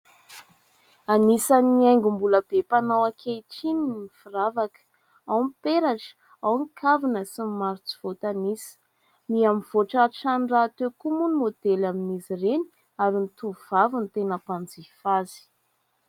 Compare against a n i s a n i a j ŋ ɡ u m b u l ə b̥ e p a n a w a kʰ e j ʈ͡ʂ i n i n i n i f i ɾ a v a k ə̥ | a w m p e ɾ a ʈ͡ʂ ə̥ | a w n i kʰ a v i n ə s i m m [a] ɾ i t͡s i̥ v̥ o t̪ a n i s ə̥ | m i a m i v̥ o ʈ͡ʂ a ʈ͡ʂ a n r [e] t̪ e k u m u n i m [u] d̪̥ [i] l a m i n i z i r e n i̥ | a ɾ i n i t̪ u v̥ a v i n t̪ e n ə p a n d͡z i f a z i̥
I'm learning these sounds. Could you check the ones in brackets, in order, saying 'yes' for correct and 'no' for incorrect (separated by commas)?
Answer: yes, no, no, no